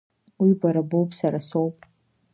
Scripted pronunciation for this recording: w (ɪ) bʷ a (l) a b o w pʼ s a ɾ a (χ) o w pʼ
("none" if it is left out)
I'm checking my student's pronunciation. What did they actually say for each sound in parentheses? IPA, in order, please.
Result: i, ɾ, s

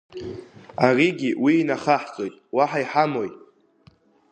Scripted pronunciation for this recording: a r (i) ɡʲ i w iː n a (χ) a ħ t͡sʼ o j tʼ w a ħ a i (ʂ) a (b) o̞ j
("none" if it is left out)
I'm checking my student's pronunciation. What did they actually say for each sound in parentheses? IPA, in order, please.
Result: i, χ, ħ, m

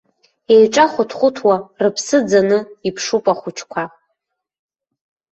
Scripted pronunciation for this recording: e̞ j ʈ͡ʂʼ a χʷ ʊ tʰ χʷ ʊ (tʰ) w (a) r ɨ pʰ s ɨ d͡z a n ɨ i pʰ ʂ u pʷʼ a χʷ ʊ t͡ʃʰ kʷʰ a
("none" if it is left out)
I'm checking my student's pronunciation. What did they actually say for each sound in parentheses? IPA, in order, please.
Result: tʰ, a

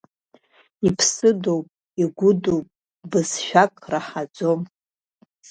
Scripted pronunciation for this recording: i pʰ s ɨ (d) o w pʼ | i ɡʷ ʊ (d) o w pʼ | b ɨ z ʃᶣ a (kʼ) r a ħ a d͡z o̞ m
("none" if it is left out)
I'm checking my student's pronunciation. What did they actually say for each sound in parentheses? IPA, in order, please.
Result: d, d, kʼ

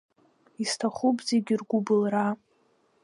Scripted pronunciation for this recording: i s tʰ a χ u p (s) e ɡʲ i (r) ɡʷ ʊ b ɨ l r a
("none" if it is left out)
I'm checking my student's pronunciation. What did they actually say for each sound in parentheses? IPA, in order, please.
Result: z, r

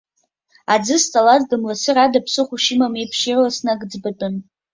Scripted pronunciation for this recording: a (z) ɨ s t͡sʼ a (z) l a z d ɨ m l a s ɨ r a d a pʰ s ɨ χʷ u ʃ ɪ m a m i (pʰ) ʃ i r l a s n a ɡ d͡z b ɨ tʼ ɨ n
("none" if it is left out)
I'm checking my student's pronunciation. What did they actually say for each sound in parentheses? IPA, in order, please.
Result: d͡z, none, pʰ

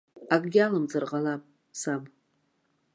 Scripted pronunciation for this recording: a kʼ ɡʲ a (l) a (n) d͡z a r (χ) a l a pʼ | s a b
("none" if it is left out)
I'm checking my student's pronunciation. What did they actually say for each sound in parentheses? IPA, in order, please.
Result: l, m, ʁ

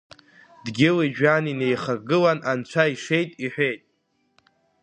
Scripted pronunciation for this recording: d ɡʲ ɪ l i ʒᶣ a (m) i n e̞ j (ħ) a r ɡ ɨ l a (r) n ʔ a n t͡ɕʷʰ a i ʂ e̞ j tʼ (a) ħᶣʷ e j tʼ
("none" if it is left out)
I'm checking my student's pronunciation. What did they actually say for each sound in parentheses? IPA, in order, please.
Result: n, χ, none, i

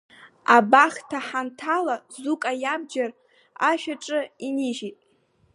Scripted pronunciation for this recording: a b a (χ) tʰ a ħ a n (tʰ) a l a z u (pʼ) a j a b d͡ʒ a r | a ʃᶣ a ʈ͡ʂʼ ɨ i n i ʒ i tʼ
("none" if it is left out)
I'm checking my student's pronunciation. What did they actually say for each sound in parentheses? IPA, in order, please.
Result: χ, tʰ, kʼ

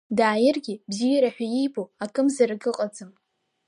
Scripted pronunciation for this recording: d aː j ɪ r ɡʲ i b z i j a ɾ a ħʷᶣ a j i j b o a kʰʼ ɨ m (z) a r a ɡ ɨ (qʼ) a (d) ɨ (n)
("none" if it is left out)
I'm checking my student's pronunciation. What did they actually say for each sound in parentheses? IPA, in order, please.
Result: z, qʼ, d͡z, m

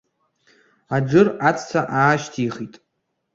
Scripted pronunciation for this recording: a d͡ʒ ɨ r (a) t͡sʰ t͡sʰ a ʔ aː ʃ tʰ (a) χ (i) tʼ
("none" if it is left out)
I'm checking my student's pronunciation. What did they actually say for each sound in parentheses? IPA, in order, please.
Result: a, i, i

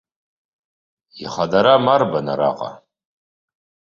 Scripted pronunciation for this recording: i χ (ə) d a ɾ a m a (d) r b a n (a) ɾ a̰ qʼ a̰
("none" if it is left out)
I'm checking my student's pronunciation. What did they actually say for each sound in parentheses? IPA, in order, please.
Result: a, none, a

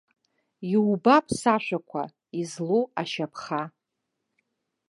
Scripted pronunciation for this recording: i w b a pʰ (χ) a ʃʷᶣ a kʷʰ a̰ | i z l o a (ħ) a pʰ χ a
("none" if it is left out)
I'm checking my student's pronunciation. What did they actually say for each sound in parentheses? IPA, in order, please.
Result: s, ʃ

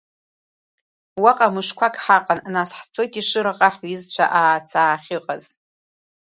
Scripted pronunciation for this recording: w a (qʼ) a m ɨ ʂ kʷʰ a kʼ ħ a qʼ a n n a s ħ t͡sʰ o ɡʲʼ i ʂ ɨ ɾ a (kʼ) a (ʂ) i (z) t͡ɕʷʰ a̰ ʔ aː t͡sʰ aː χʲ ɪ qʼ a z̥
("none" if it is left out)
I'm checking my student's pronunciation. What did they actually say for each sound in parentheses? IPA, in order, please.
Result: qʼ, qʼ, ħ, z

